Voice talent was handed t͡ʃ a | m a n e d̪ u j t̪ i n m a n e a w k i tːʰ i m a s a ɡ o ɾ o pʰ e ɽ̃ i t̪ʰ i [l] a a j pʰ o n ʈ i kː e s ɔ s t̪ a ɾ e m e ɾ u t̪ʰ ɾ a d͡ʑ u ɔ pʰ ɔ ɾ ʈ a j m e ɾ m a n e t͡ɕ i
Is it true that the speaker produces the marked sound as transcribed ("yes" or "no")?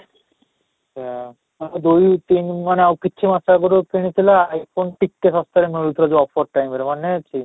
yes